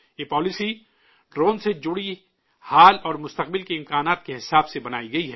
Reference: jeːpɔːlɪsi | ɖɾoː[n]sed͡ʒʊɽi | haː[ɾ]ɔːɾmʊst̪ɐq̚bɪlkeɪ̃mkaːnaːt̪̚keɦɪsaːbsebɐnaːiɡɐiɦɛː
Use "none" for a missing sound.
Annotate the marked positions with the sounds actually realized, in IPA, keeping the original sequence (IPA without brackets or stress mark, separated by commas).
n, l